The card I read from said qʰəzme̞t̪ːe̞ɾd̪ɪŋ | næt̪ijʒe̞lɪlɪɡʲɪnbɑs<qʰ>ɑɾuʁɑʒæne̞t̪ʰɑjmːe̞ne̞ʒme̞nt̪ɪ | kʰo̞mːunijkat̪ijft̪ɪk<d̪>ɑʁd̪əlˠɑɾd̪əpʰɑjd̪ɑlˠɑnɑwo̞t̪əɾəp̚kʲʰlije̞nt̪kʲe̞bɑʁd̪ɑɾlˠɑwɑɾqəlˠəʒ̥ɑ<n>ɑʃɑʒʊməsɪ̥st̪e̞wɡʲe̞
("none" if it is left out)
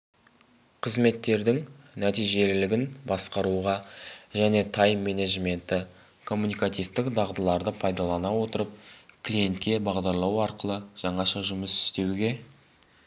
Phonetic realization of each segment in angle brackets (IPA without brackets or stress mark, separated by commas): q, d̪, ɴ